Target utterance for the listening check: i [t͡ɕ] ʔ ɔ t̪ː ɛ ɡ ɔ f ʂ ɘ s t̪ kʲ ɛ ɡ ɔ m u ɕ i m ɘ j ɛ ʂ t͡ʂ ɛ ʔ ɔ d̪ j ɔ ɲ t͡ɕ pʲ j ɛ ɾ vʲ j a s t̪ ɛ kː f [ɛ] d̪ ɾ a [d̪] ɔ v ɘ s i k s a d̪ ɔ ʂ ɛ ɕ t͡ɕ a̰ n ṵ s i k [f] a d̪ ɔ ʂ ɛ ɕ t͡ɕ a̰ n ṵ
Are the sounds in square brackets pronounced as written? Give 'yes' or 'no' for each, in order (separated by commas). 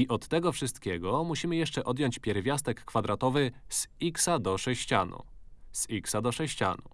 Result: no, no, no, no